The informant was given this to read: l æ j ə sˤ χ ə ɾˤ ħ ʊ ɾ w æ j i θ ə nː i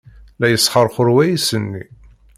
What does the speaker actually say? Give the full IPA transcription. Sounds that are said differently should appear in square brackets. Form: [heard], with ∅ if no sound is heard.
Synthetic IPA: l æ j ə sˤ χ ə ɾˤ [χ] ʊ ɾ w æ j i [s] ə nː i